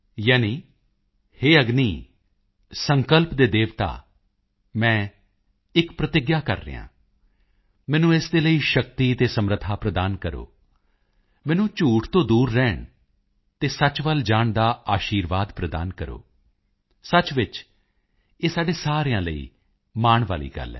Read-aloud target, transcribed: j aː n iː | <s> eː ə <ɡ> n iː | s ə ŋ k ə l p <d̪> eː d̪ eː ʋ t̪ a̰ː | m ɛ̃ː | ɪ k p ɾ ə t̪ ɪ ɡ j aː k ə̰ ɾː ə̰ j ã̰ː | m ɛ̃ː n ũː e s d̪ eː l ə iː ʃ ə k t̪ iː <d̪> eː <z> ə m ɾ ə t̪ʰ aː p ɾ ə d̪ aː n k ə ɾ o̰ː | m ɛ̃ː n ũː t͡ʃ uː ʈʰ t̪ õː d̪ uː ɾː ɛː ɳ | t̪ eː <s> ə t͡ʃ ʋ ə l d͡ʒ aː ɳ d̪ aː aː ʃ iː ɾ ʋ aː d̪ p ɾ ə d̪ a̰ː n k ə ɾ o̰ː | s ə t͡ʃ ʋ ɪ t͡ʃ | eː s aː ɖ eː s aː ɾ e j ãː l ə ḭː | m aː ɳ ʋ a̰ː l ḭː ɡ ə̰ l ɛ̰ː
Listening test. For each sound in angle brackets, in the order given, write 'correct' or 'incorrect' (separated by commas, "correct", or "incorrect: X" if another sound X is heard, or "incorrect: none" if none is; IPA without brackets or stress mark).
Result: incorrect: h, correct, correct, incorrect: t̪, incorrect: s, correct